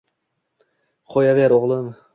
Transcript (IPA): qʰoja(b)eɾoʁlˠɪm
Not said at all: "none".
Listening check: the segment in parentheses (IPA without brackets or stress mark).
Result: v